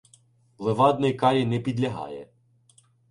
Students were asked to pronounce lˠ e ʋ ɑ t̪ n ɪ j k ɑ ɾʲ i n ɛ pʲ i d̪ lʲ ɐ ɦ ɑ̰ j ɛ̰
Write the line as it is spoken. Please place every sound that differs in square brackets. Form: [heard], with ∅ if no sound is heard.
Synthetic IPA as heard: lˠ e ʋ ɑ [d̪] n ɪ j k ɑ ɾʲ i n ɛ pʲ i d̪ lʲ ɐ ɦ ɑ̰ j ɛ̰